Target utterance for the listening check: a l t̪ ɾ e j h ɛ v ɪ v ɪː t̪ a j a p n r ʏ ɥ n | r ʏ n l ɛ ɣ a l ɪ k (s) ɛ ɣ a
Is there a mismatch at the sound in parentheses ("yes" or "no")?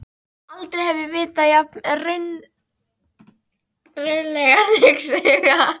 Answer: no